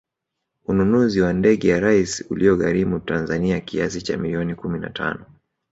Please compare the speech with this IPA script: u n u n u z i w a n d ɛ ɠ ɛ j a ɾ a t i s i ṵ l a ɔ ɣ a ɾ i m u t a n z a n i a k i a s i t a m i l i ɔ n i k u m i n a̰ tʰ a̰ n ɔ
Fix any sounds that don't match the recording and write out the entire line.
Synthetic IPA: u n u n u z i w a n d ɛ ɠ ɛ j a ɾ a i s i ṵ l i ɔ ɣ a ɾ i m u t a n z a n i a k i a s i t͡ʃ a m i l i ɔ n i k u m i n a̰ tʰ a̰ n ɔ